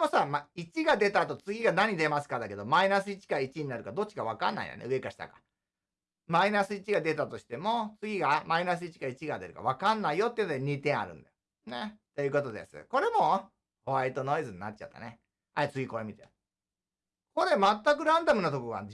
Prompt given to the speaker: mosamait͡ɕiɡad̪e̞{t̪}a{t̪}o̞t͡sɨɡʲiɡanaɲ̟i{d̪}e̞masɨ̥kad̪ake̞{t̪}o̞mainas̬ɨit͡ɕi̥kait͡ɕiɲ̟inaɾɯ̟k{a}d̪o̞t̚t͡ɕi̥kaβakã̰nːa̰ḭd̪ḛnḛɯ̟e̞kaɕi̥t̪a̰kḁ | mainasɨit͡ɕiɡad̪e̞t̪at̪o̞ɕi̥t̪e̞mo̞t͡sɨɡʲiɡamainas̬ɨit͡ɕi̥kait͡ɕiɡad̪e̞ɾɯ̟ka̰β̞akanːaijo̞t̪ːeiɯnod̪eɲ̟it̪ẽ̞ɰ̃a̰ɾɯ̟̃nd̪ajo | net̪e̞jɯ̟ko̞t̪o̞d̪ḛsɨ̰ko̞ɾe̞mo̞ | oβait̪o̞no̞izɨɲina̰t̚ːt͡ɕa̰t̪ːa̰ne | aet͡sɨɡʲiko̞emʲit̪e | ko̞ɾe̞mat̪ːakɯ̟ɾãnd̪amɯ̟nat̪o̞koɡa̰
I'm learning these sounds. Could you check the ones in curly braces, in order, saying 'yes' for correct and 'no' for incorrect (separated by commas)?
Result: yes, yes, yes, no, yes